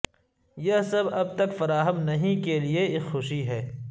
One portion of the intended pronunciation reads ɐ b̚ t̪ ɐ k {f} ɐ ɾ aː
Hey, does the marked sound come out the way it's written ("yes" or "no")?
yes